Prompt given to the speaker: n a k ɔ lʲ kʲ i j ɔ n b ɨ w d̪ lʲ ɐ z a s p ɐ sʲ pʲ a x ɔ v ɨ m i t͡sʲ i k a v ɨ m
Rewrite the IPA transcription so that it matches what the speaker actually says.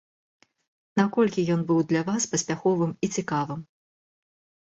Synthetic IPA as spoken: n a k ɔ lʲ kʲ i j ɔ n b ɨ w d̪ lʲ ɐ v a s p ɐ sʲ pʲ a x ɔ v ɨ m i t͡sʲ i k a v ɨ m